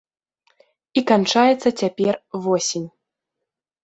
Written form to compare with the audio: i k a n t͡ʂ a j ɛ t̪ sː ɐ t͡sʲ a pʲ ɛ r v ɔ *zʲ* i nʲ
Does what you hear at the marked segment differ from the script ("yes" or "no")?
yes